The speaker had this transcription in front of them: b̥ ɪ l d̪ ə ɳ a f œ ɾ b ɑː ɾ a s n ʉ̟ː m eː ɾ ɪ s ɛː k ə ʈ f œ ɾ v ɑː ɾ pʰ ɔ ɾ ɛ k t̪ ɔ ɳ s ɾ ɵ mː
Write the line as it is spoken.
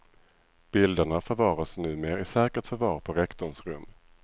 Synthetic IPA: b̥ ɪ l d̪ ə ɳ a f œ ɾ v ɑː ɾ a s n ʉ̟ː m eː ɾ ɪ s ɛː k ə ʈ f œ ɾ v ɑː ɾ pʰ ɔ ɾ ɛ k t̪ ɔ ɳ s ɾ ɵ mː